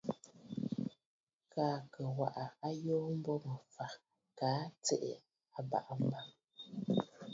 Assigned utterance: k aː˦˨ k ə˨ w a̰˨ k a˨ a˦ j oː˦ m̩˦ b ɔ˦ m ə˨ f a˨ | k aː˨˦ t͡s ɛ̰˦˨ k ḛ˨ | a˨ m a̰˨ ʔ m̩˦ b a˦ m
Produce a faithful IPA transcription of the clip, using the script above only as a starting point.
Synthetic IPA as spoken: k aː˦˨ k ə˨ w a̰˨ ʔ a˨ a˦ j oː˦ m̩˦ b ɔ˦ m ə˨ f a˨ | k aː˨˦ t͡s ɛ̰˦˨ ʔ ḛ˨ | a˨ b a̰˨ ʔ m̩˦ b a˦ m